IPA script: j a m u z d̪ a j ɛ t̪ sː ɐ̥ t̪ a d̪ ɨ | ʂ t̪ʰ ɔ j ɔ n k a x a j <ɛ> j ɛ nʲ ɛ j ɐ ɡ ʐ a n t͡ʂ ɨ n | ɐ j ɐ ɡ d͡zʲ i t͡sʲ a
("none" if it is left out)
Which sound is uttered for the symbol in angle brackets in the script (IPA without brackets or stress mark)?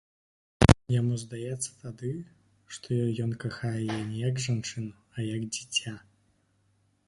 ɛ